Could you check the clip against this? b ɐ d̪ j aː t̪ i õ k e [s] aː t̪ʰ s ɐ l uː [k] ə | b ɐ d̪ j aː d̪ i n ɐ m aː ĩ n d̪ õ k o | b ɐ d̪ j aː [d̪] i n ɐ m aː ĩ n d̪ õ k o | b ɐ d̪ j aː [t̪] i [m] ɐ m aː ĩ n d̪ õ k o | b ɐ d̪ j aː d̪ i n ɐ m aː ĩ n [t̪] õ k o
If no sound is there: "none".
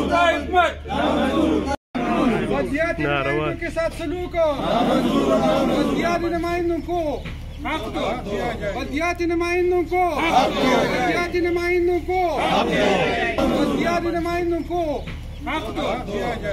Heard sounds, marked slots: s, k, t̪, t̪, n, d̪

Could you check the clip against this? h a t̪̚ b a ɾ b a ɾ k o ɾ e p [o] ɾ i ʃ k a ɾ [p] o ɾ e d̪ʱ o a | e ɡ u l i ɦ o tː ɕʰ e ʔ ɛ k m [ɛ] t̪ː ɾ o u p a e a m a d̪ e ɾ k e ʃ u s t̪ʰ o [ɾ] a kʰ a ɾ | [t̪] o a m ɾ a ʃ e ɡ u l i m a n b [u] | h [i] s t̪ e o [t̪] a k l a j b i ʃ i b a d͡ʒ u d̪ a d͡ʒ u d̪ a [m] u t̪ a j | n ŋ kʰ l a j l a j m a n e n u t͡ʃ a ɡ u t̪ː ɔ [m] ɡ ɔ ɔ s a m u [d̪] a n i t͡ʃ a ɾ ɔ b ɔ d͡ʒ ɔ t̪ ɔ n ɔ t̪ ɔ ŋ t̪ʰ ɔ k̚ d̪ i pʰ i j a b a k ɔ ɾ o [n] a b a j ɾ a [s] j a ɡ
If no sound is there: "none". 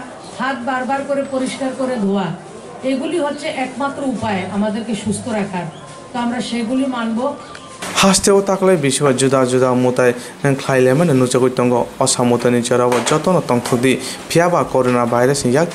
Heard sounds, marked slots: o, k, a, ɾ, t̪, o, a, t̪, m, ŋ, t̪, n, s

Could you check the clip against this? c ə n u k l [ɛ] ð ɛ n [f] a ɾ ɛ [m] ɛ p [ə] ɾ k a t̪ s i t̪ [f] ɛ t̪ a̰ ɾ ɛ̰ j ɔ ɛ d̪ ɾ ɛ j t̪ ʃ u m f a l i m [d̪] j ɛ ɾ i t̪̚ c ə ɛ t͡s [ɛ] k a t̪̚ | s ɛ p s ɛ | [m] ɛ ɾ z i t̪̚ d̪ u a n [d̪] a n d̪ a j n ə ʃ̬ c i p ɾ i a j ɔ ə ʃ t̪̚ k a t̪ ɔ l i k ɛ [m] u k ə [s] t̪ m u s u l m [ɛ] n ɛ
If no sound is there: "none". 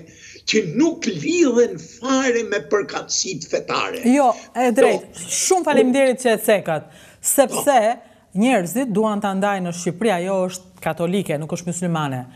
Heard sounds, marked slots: i, f, m, ə, f, d̪, ɛ, ɲ, t̪, n, ʃ, a

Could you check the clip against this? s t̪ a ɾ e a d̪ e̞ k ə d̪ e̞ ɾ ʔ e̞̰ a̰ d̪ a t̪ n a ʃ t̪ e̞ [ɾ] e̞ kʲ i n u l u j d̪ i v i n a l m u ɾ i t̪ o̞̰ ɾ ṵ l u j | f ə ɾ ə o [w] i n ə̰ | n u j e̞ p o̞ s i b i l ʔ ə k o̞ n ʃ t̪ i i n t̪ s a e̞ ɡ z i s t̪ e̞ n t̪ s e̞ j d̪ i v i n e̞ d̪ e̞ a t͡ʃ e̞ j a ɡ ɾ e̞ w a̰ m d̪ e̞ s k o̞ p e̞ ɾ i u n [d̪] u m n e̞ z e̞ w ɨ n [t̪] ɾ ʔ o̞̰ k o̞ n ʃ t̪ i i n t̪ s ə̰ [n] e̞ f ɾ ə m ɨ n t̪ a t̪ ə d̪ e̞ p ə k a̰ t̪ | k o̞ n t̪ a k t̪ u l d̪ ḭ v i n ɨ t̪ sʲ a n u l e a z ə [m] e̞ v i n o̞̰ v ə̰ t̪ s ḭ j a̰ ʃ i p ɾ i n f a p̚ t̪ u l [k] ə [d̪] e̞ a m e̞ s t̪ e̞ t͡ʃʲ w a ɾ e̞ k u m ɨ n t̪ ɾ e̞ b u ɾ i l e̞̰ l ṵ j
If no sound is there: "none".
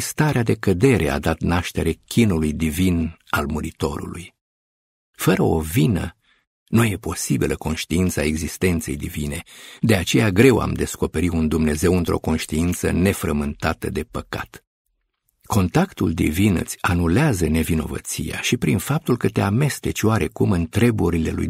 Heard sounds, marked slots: ɾ, v, d̪, t̪, n, n, k, t̪

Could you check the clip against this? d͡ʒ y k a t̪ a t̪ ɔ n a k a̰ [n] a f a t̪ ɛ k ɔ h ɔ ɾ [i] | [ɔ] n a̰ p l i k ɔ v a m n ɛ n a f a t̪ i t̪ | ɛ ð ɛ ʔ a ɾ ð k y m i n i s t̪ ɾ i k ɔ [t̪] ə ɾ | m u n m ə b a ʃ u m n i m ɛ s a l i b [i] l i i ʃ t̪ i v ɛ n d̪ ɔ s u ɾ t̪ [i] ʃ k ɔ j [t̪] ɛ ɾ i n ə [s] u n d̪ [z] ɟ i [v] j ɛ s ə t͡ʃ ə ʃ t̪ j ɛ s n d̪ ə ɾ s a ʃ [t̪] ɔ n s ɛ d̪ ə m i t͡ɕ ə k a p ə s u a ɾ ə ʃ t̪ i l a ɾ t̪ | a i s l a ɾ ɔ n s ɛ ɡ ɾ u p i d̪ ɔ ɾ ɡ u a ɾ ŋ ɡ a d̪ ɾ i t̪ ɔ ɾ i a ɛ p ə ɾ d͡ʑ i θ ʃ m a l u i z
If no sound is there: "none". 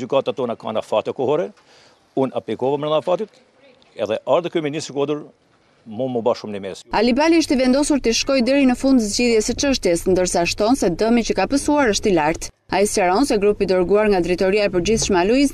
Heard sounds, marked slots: n, ɛ, u, d̪, a, i, d̪, f, z, ð, t̪

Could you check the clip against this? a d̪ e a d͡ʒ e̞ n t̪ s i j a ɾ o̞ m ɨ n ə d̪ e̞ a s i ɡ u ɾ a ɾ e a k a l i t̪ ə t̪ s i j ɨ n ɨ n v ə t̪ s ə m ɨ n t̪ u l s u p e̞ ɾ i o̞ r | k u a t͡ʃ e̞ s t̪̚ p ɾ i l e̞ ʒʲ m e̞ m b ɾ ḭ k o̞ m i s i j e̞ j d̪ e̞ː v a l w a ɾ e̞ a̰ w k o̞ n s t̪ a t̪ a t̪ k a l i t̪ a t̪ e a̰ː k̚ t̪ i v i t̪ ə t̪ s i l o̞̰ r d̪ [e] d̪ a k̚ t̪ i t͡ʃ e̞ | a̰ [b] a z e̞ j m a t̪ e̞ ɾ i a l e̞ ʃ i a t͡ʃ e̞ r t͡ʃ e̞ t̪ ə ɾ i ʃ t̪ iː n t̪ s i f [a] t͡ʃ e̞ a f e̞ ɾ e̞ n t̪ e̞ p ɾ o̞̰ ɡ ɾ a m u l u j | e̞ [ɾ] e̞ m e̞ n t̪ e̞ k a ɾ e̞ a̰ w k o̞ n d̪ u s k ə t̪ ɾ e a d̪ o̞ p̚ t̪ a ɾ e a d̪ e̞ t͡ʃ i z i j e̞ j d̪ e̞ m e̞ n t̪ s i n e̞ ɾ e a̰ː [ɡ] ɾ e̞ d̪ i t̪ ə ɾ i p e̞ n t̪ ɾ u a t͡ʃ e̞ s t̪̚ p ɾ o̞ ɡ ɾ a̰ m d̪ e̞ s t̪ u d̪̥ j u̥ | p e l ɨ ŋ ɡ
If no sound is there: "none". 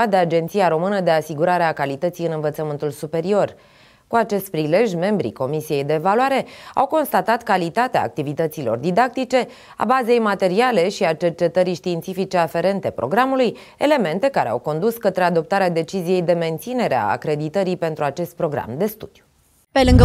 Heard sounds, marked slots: i, b, i, l, k

